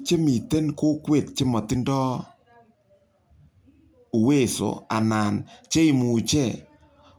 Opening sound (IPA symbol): t͡ʃ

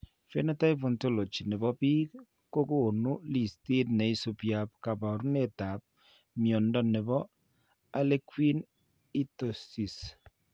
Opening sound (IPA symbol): f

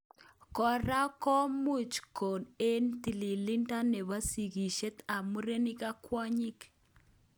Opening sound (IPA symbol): k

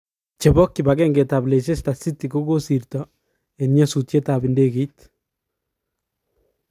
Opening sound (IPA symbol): t͡ʃ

